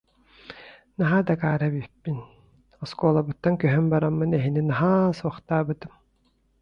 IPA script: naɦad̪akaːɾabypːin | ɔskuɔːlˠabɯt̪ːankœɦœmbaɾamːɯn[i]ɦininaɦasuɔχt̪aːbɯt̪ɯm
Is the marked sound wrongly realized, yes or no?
yes